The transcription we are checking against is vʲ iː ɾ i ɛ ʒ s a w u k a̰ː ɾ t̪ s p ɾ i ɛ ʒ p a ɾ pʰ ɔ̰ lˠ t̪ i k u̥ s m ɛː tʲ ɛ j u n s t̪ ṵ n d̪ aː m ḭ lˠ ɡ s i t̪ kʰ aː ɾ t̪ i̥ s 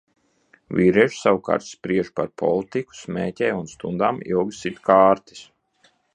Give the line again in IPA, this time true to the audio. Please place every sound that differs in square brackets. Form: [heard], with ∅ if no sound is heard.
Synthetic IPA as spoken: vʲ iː ɾ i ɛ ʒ s a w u k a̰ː ɾ t̪ s p ɾ i ɛ ʒ p a ɾ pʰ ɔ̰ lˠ t̪ i k u̥ s m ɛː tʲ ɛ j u n s t̪ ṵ n d̪ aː m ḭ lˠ ɡ s i t̪ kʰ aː ɾ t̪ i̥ s